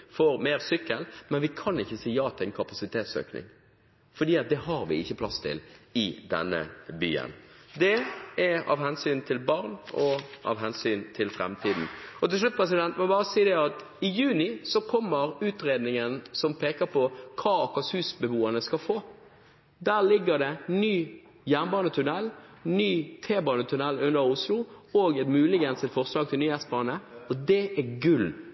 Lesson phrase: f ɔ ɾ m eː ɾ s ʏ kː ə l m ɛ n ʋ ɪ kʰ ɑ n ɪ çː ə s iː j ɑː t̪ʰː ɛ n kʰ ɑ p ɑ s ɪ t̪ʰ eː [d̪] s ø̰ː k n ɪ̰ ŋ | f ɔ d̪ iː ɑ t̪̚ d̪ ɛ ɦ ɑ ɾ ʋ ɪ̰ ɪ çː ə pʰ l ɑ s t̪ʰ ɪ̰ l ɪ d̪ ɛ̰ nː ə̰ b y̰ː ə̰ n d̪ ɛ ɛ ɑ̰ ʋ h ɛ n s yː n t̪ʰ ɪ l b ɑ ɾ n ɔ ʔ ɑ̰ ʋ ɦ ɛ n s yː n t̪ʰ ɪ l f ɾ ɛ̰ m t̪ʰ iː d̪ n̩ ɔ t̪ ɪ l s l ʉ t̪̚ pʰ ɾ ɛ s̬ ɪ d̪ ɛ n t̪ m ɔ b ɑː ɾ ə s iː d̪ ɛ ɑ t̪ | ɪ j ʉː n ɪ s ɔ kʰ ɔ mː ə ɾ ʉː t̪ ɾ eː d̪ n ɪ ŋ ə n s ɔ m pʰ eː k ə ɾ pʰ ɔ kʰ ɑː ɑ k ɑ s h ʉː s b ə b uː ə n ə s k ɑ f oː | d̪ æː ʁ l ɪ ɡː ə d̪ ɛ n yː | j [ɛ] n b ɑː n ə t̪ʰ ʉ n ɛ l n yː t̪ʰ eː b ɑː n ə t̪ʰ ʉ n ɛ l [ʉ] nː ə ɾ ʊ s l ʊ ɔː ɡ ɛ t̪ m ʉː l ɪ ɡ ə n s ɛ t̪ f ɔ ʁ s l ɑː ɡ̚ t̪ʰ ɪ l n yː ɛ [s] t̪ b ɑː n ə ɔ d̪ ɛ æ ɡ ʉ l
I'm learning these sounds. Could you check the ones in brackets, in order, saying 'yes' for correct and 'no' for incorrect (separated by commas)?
no, no, yes, yes